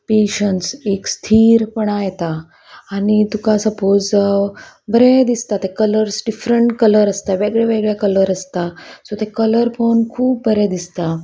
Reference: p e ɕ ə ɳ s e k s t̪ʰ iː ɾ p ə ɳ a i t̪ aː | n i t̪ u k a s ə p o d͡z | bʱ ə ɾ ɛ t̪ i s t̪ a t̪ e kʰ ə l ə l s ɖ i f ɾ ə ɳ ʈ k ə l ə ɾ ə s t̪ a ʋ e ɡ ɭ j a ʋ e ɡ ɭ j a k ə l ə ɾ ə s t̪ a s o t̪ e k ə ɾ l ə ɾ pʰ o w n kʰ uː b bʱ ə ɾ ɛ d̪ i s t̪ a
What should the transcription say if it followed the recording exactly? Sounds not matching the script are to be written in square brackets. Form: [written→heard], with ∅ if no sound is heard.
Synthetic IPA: p e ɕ ə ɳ s e k s t̪ʰ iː ɾ p ə ɳ a [i→j] t̪ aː | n i t̪ u k a s ə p o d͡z | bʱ ə ɾ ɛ [t̪→d̪] i s t̪ a t̪ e [kʰ→k] ə l ə [l→ɾ] s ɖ i f ɾ ə ɳ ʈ k ə l ə ɾ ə s t̪ a ʋ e ɡ ɭ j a ʋ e ɡ ɭ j a k ə l ə ɾ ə s t̪ a s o t̪ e k ə [ɾ→∅] l ə ɾ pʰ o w n kʰ uː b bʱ ə ɾ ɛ d̪ i s t̪ a